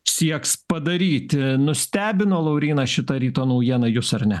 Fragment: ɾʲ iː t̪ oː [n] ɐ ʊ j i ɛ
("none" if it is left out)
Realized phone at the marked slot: n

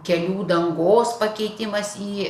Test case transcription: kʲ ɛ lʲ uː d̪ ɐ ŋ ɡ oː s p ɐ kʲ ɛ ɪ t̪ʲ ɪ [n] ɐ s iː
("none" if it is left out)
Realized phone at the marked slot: m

